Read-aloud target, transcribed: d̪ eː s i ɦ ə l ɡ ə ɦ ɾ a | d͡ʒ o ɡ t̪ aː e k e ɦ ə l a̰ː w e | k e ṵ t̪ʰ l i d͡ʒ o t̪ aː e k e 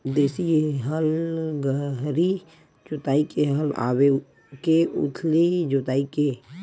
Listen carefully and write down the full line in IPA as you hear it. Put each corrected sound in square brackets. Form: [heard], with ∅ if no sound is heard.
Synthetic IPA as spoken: d̪ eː s i ɦ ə l ɡ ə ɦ ɾ [i] | d͡ʒ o [∅] t̪ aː [i] k e ɦ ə l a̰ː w e | k e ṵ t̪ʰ l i d͡ʒ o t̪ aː [i] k e